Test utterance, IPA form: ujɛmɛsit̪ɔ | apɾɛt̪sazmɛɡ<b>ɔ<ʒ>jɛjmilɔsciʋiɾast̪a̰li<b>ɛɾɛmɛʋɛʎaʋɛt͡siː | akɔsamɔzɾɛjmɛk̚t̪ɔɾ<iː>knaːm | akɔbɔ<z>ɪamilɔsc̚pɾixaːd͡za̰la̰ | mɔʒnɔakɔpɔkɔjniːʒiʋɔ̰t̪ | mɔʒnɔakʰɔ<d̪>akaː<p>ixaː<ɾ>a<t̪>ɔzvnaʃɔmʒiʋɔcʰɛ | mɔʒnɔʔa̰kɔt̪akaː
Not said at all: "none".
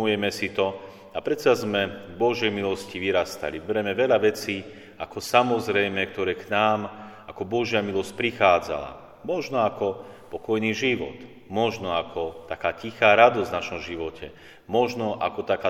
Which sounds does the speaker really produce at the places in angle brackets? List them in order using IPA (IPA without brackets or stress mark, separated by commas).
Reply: b, ʒ, b, ɛː, ʒ, t̪, c, ɾ, d̪